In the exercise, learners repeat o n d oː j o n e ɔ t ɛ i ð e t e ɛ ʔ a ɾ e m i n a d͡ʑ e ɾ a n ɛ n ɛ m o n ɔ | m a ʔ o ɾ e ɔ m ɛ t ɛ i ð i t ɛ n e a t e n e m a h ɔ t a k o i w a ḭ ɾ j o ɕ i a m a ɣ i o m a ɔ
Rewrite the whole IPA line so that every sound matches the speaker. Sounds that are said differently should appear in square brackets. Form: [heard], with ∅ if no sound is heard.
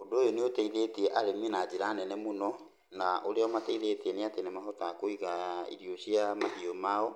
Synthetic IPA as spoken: o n d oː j o n e [o] t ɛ i ð e t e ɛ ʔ a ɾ e m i n a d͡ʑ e ɾ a n ɛ n ɛ m o n ɔ | [n] a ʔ o ɾ e ɔ m [a] t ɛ i ð [e] t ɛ n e a t e n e m a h ɔ t a k o i [ɣ] a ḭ ɾ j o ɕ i a m a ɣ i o m a ɔ